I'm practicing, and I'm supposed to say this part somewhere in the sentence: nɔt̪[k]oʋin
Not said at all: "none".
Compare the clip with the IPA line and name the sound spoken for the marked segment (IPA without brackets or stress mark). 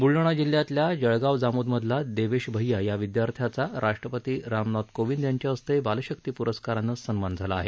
k